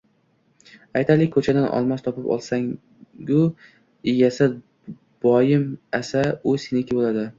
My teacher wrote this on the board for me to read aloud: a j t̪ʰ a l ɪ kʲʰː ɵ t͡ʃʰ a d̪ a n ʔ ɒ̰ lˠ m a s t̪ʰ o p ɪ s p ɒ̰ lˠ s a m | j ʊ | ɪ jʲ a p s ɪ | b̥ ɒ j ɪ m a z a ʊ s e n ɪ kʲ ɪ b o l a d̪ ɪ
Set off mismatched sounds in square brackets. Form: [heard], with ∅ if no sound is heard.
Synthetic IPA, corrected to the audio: a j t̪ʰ a l ɪ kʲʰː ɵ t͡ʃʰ a d̪ a n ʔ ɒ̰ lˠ m a s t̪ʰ [ɒ] p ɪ [∅] p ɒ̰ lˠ s a [ŋ] | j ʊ | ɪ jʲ a [∅] s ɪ | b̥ ɒ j ɪ m a [s] a ʊ s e n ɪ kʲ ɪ b o l a d̪ ɪ